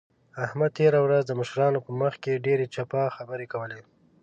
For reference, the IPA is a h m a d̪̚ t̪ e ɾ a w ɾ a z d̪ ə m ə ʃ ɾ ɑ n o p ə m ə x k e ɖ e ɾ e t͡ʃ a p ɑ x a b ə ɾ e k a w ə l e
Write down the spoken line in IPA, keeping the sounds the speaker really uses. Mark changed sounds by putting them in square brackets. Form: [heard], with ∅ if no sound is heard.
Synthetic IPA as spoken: a h m a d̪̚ t̪ e ɾ a w ɾ a z d̪ ə m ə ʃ ɾ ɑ n o p ə m ə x k e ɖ e ɾ e t͡ʃ a p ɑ x a b ə ɾ e k a w ə l e